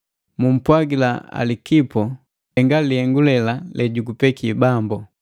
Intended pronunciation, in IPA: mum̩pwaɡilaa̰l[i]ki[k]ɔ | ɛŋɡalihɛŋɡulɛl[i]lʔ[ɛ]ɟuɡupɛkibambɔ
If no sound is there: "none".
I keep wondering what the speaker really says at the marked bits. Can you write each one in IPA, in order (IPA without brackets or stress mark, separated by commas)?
i, p, a, ɛ